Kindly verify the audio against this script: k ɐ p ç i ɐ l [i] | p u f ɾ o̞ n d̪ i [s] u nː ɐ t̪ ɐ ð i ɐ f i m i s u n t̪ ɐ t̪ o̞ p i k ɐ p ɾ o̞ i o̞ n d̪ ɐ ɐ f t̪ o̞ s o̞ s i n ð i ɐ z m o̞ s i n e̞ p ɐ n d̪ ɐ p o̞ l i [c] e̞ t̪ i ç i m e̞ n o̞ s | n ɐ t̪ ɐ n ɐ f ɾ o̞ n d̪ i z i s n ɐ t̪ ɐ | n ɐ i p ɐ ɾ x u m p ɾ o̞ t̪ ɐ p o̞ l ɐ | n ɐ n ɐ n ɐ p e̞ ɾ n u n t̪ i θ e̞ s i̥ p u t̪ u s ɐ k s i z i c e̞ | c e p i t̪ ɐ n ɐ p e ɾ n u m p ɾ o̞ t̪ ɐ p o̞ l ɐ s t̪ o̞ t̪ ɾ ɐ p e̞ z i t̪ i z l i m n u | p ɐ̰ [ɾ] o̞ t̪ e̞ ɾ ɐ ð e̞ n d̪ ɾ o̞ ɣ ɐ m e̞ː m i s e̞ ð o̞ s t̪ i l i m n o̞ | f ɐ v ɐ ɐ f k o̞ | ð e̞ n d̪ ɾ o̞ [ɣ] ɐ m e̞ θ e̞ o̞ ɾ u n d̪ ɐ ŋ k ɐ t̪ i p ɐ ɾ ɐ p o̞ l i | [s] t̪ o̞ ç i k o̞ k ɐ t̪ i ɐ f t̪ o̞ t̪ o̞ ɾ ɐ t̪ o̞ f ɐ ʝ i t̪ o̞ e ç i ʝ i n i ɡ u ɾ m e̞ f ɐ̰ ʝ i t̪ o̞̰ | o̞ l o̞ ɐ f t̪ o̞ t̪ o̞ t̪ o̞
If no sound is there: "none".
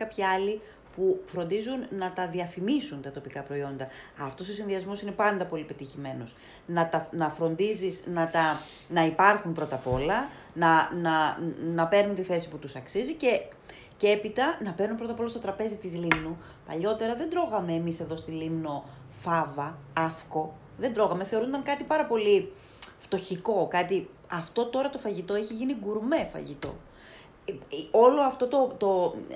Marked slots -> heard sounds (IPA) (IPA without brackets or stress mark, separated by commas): i, z, p, ʎ, ɣ, f